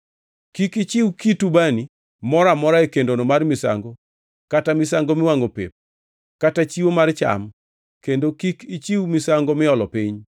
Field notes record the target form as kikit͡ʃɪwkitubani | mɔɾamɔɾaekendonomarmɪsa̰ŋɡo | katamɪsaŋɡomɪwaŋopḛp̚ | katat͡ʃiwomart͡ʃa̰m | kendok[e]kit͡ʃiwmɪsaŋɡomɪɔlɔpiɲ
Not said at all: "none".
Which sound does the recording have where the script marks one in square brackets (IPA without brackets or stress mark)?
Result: i